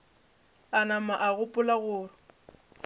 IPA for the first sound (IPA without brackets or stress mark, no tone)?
a